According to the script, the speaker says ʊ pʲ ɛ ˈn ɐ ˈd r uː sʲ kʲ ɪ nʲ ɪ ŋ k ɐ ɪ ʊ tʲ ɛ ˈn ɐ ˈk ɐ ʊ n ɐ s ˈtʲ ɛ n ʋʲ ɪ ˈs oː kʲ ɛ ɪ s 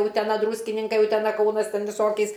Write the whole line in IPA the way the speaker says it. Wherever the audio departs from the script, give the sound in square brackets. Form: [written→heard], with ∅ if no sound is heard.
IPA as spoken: ʊ [pʲ→tʲ] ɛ ˈn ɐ ˈd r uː sʲ kʲ ɪ nʲ ɪ ŋ k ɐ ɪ ʊ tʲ ɛ ˈn ɐ ˈk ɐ ʊ n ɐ s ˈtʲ ɛ n ʋʲ ɪ ˈs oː kʲ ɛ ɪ s